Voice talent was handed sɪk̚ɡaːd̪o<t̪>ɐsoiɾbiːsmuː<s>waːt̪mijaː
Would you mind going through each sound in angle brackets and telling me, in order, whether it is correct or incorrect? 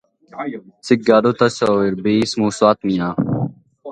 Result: correct, correct

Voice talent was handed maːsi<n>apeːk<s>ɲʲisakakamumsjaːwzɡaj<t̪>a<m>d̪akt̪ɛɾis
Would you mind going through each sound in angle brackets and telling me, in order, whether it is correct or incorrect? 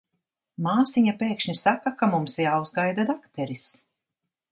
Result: incorrect: ɲ, incorrect: ʃ, incorrect: d̪, incorrect: none

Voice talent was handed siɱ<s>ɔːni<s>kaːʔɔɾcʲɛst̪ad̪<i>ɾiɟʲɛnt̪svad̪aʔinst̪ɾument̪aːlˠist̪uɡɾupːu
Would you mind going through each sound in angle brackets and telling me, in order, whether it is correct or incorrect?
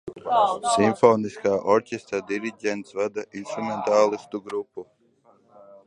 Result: incorrect: f, correct, correct

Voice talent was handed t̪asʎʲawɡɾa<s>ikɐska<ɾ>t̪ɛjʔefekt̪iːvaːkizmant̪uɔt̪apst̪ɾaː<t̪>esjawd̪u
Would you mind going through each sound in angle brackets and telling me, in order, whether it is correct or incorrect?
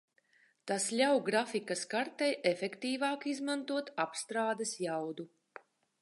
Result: incorrect: f, correct, incorrect: d̪

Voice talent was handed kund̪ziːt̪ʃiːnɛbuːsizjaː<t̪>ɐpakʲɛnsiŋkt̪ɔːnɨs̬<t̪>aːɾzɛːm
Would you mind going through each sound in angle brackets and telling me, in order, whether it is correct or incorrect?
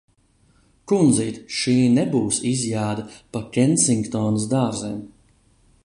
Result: incorrect: d̪, incorrect: d̪

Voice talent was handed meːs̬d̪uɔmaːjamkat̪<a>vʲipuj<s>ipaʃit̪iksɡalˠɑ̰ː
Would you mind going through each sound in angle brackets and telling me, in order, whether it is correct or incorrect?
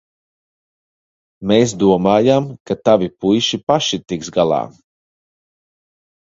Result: correct, incorrect: ʃ

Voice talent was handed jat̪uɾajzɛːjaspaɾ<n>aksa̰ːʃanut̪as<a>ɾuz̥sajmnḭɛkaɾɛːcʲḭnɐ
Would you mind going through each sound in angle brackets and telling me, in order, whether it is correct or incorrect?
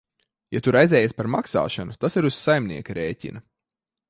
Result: incorrect: m, incorrect: i

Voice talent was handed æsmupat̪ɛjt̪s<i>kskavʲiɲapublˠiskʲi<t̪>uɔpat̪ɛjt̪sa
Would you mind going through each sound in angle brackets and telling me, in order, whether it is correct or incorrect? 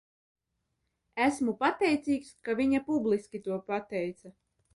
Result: incorrect: iː, correct

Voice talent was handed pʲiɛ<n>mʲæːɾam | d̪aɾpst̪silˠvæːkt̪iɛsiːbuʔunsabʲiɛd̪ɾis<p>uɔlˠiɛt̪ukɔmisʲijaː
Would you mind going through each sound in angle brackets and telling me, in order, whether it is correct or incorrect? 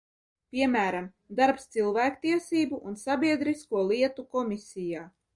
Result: incorrect: none, incorrect: k

